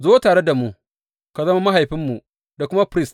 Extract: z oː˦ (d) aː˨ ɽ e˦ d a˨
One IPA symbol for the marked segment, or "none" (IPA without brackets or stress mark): t